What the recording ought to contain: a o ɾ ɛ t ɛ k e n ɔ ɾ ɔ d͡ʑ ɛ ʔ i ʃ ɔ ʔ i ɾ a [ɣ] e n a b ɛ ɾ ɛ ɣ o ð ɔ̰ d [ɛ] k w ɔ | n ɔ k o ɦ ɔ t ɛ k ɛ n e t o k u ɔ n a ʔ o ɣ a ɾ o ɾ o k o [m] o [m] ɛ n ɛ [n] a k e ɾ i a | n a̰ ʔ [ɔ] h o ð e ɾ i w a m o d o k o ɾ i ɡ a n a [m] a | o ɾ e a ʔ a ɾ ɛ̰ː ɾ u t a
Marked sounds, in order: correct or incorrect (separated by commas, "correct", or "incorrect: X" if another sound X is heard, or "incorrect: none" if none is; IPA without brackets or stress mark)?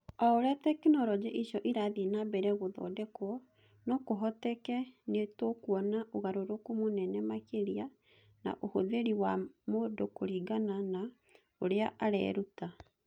incorrect: ð, correct, correct, incorrect: n, incorrect: m, incorrect: o, incorrect: n